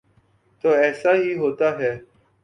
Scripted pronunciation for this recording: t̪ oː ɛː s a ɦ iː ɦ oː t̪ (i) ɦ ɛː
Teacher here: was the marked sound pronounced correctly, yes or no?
no